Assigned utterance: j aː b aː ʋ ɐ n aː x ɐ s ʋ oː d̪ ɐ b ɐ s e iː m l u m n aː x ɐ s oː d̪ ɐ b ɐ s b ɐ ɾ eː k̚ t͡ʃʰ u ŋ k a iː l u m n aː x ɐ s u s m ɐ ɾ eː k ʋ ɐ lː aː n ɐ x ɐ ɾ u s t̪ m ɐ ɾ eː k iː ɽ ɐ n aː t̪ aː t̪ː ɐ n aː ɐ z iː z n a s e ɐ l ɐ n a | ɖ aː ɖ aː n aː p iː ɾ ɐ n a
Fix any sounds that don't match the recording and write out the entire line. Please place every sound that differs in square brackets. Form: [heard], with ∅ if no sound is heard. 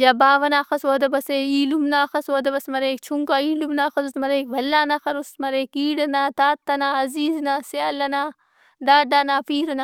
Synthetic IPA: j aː b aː ʋ ɐ n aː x ɐ s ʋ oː d̪ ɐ b ɐ s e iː [∅] l u m n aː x ɐ s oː d̪ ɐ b ɐ s [m] ɐ ɾ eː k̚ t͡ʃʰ u ŋ k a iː l u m n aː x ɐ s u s m ɐ ɾ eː k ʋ ɐ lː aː n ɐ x ɐ ɾ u s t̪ m ɐ ɾ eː k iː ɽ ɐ n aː t̪ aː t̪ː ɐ n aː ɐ z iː z n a s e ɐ l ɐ n a | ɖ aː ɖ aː n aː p iː ɾ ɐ n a